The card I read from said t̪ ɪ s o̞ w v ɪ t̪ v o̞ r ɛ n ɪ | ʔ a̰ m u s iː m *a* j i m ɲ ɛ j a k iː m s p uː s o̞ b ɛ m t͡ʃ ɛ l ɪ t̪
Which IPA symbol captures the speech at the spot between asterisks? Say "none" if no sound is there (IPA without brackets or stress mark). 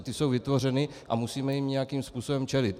ɛ